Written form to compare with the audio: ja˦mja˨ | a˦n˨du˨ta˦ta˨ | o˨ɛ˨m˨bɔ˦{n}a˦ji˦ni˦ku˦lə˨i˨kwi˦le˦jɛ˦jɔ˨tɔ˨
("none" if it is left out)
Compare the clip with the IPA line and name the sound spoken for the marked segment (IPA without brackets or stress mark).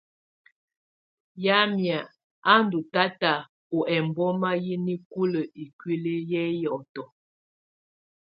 m